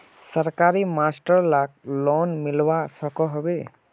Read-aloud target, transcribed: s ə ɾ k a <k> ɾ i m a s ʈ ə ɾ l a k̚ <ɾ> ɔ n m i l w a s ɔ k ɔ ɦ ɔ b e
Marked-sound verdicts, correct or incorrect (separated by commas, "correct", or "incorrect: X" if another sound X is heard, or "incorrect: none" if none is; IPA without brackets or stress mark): incorrect: none, incorrect: l